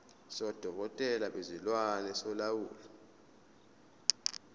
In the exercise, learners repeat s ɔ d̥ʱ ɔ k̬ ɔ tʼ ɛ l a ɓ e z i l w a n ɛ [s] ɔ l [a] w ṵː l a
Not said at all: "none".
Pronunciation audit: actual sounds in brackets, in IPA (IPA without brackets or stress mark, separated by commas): s, a